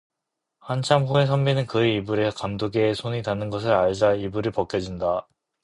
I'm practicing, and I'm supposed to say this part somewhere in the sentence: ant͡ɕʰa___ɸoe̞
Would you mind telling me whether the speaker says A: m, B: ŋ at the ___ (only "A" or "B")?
A